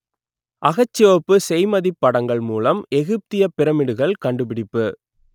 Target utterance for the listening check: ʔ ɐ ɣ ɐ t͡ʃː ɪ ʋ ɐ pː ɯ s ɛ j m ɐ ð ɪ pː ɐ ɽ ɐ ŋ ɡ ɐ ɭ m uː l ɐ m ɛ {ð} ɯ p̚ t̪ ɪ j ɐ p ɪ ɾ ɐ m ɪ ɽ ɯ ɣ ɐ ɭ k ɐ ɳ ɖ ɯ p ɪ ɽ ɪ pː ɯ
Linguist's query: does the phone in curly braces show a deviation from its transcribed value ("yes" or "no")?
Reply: yes